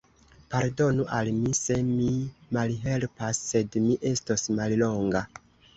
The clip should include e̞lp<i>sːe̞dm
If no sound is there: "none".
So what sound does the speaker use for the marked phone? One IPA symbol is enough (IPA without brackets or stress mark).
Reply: a